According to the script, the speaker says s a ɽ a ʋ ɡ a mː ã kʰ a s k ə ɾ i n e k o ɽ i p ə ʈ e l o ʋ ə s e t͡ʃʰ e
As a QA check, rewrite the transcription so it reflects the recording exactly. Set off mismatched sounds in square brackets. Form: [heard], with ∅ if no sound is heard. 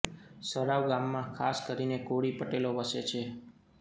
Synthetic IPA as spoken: s [ə] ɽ a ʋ ɡ a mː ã kʰ a s k ə ɾ i n e k o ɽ i p ə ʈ e l o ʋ ə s e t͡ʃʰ e